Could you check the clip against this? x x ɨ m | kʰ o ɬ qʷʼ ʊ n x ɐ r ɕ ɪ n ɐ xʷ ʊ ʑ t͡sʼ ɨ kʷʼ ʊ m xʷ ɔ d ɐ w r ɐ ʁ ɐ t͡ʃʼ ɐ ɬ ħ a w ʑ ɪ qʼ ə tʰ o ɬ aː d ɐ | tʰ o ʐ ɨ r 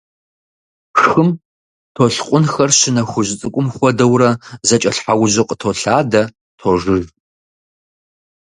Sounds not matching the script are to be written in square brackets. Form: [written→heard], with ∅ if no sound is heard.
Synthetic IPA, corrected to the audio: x x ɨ m | [kʰ→tʰ] o ɬ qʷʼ ʊ n x ɐ r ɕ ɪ n ɐ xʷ ʊ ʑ t͡sʼ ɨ kʷʼ ʊ m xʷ ɔ d ɐ w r ɐ [ʁ→z] ɐ t͡ʃʼ ɐ ɬ ħ a w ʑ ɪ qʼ ə tʰ o ɬ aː d ɐ | tʰ o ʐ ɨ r